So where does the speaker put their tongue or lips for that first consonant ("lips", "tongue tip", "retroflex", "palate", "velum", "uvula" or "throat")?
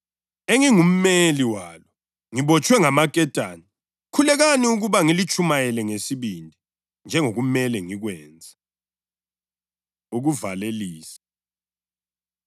velum